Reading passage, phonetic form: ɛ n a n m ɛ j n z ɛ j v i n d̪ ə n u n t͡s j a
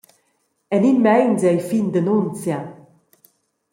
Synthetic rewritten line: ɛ n i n m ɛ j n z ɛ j f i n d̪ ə n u n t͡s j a

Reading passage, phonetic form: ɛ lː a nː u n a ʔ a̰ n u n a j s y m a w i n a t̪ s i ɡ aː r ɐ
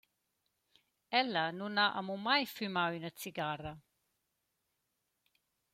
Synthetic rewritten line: ɛ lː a n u n a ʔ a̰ m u m a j f y m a w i n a t̪ s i ɡ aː r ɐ

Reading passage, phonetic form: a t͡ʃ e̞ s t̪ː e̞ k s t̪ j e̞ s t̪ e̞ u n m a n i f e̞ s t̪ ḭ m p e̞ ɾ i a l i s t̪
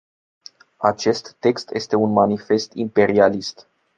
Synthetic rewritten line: a t͡ʃ e̞ s t̪ː e̞ k s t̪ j e̞ s t̪ e̞ u n m a n i f e̞ s t̪ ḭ m p e̞ ɾ i a l i s t̪

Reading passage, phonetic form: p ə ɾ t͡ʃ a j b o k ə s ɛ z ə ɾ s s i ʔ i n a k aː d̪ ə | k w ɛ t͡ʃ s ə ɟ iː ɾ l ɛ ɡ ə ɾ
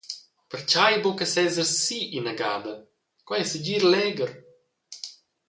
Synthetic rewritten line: p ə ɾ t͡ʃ a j b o k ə s ɛ z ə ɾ s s i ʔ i n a ɡ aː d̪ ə | k w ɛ s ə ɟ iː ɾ l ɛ ɡ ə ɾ

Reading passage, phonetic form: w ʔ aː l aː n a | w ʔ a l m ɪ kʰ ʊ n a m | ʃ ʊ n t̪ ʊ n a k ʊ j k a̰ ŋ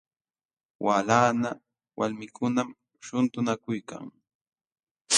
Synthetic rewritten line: w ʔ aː l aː n a | w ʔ a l m ɪ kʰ ʊ n a m | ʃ ʊ n t̪ ʊ n a k ʊ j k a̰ ŋ

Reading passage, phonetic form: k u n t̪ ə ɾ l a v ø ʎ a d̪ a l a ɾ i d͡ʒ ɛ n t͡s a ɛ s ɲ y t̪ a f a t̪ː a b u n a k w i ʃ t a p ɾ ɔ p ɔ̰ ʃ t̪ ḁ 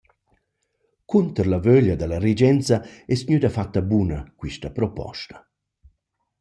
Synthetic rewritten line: k u n t̪ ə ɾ l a v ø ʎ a d̪ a l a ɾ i d͡ʒ ɛ n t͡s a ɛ s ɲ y d̪ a f a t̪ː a b u n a k w i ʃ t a p ɾ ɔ p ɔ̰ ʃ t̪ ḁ

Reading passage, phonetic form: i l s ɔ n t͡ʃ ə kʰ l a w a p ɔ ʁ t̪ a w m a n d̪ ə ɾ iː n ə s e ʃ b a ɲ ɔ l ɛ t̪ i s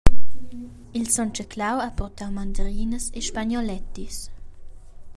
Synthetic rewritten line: i l s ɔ n t͡ʃ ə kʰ l a w a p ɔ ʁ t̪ a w m a n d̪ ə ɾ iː n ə s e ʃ p a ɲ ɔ l ɛ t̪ i s

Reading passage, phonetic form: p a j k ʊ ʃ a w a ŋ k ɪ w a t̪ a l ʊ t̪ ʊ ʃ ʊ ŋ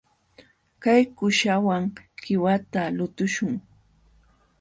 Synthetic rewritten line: k a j k ʊ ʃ a w a ŋ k ɪ w a t̪ a l ʊ t̪ ʊ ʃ ʊ ŋ

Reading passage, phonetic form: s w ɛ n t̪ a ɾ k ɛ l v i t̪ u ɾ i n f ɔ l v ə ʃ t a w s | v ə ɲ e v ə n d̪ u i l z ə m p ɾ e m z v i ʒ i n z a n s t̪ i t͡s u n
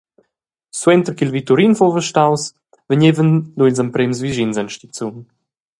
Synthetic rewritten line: s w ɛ n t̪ ə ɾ k i l v i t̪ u ɾ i n f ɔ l v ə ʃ t a w s | v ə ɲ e v ə n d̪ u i l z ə m p ɾ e m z v i ʒ i n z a n ʃ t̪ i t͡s u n

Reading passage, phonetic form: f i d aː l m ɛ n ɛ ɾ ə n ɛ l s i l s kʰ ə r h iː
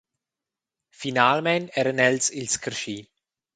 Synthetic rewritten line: f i n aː l m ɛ n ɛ ɾ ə n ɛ l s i l s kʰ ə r ʃ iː

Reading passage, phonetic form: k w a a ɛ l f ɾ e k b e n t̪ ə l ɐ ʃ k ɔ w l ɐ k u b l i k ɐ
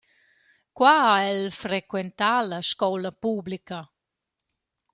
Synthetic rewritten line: k w a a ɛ l f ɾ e k w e n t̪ a l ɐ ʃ k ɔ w l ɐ p u b l i k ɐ

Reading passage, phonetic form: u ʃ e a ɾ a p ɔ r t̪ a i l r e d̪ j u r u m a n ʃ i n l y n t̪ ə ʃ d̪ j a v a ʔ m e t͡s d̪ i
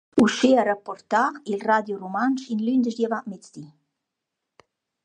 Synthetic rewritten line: u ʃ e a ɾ a p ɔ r t̪ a i l r a d̪ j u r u m a n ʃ i n l y n d̪ ə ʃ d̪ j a v a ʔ m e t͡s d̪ i

